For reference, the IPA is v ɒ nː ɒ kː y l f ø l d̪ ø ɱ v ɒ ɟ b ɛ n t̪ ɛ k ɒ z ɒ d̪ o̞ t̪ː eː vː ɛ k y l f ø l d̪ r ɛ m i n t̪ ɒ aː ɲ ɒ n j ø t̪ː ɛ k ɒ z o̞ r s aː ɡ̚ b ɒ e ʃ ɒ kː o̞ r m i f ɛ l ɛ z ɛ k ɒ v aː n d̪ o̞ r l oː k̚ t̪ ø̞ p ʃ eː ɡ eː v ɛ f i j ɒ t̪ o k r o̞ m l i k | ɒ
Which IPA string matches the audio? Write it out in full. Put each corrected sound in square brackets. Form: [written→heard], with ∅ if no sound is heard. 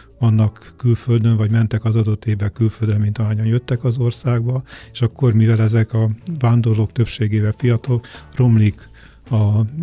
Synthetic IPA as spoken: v ɒ nː ɒ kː y l f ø l d̪ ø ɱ v ɒ ɟ [b→m] ɛ n t̪ ɛ k ɒ z ɒ d̪ o̞ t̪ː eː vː ɛ k y l f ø l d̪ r ɛ m i n t̪ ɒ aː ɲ ɒ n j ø t̪ː ɛ k ɒ z o̞ r s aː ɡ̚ b ɒ e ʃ ɒ kː o̞ r m i [f→v] ɛ l ɛ z ɛ k ɒ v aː n d̪ o̞ r l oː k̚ t̪ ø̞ p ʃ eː ɡ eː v ɛ f i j ɒ t̪ o k r o̞ m l i k | ɒ